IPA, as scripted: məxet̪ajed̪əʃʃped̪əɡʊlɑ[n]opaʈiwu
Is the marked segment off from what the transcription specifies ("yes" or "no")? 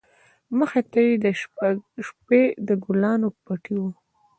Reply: no